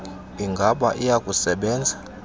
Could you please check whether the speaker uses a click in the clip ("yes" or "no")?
no